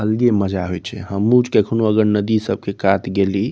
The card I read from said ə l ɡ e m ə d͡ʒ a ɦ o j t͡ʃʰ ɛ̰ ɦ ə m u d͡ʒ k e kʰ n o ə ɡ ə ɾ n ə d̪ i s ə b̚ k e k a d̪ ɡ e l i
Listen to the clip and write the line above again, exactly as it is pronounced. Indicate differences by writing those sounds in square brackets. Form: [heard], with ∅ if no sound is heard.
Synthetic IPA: ə l ɡ e m ə d͡ʒ a ɦ o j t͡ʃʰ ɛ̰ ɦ ə m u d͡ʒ k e kʰ n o ə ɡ ə ɾ n ə d̪ i s ə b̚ k e k a [t̪] ɡ e l i